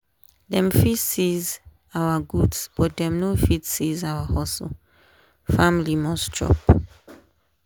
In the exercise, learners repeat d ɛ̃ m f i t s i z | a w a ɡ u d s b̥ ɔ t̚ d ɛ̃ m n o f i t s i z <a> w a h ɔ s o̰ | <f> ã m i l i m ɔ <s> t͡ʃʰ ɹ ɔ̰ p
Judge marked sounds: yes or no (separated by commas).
yes, yes, yes